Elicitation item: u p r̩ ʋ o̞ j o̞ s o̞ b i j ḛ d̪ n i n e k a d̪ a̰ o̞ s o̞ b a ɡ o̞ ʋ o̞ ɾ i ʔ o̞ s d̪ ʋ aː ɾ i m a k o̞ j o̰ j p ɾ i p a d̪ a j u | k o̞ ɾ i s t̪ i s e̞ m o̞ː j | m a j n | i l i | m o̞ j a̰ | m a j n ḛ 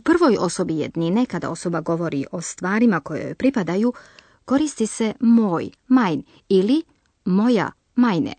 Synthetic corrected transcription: u p r̩ ʋ o̞ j o̞ s o̞ b i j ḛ d̪ n i n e k a d̪ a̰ o̞ s o̞ b a ɡ o̞ ʋ o̞ ɾ i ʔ o̞ s t̪ ʋ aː ɾ i m a k o̞ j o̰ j p ɾ i p a d̪ a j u | k o̞ ɾ i s t̪ i s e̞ m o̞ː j | m a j n | i l i | m o̞ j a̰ | m a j n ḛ